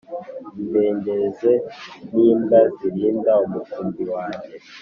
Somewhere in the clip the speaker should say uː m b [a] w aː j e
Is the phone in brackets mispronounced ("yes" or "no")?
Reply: yes